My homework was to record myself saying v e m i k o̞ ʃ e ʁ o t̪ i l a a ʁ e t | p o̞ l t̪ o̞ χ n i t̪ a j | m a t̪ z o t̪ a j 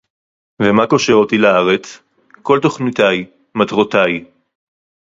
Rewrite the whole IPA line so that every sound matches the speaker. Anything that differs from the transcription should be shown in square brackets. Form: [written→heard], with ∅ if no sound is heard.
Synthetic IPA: v e m [i→a] k o̞ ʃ e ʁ o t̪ i l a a ʁ e [t→t͡s] | [p→k] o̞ l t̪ o̞ χ n i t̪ a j | m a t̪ [z→ʁ] o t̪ a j

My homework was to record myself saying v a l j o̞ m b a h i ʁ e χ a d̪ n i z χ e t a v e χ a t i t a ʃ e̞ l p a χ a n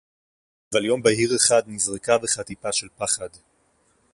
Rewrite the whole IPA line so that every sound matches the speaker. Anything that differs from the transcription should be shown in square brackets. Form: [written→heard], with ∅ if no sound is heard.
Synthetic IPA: v a l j o̞ m b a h i ʁ e χ a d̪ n i z [χ→ʁ] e [t→k] a v e χ a t i [t→p] a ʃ e̞ l p a χ a [n→d]

